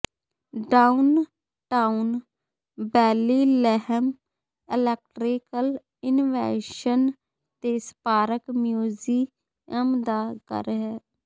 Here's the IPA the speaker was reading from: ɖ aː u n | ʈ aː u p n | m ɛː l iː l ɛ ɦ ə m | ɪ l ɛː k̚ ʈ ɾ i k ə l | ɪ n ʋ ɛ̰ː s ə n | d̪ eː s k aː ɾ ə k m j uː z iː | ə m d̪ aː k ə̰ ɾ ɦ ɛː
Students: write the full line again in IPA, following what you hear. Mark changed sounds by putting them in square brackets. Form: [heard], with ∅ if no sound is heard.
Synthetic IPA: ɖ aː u n | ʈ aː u [∅] n | [b] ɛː l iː l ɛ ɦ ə m | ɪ l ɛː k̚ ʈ ɾ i k ə l | ɪ n ʋ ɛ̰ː [ʃ] ə n | [t̪] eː s [p] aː ɾ ə k m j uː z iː | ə m d̪ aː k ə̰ ɾ ɦ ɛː